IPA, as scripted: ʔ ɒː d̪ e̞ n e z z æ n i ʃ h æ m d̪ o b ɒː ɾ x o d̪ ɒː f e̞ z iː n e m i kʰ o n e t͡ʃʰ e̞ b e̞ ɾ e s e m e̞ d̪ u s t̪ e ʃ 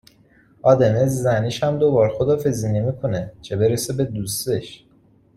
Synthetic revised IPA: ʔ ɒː d̪ e̞ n e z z æ n i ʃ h æ m d̪ o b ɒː ɾ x o d̪ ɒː f e̞ z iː n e m i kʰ o n e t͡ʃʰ e̞ b e̞ ɾ e s e b e̞ d̪ u s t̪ e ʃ